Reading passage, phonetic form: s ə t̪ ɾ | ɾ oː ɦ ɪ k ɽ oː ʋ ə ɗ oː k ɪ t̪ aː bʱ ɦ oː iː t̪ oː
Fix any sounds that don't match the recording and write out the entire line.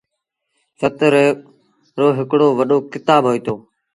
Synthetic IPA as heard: s ə t̪ ɾ | ɾ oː ɦ ɪ k ɽ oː ʋ ə ɗ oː k ɪ t̪ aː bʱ ɦ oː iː t̪ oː